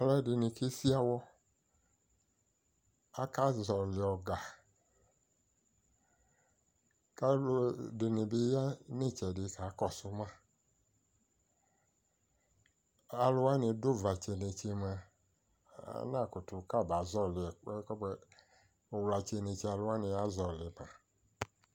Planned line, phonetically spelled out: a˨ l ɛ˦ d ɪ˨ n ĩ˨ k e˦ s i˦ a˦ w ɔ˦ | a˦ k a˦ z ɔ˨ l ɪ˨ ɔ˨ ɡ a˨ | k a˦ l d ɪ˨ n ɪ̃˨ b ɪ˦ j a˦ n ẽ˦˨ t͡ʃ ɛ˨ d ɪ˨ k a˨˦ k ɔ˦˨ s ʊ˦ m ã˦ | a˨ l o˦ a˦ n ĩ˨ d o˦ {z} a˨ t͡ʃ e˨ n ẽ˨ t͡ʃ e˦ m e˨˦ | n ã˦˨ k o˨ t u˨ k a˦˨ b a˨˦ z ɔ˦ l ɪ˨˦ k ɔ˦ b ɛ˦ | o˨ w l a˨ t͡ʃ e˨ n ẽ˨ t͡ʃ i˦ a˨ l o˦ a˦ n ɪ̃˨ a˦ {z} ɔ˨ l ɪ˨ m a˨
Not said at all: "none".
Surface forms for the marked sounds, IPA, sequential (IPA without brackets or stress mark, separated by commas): v, z